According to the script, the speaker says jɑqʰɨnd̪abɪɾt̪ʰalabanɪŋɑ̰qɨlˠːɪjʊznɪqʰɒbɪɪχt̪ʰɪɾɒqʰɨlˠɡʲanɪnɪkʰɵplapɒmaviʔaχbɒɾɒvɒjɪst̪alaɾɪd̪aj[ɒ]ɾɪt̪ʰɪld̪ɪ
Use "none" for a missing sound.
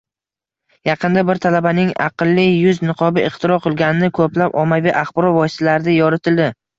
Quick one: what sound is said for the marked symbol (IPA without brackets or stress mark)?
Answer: ɒ